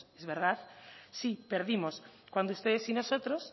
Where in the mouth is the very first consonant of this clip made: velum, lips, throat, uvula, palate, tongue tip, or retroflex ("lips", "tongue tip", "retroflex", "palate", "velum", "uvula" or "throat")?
tongue tip